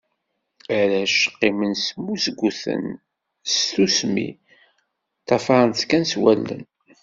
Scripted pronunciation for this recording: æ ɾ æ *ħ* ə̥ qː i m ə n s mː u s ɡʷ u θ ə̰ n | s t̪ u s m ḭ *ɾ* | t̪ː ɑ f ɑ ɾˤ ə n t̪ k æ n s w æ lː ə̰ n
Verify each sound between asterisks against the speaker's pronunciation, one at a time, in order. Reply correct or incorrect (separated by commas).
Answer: incorrect, incorrect